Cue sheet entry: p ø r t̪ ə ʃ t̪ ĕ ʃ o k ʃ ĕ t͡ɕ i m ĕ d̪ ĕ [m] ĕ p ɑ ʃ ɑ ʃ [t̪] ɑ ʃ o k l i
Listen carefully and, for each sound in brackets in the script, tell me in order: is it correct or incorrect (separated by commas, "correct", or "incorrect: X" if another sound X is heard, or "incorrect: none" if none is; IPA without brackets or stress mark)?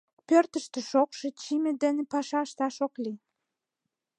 incorrect: n, correct